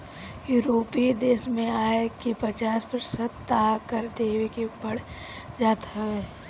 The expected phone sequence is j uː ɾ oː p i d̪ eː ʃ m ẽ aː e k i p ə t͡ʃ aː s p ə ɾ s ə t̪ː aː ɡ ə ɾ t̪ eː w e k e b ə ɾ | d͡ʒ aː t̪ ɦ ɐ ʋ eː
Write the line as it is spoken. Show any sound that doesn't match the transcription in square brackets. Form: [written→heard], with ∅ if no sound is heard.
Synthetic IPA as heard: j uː ɾ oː p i d̪ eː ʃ m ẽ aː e k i p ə t͡ʃ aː s p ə ɾ s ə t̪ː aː [ɡ→k] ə ɾ [t̪→d̪] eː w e k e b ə [ɾ→ɽ] | d͡ʒ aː t̪ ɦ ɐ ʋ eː